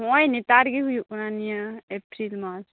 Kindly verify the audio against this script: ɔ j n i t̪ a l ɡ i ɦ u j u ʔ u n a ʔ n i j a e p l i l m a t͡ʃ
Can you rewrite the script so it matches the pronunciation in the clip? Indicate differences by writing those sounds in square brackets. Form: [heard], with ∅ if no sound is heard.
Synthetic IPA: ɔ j n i t̪ a [ɾ] ɡ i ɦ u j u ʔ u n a [∅] n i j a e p [ɾ] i l m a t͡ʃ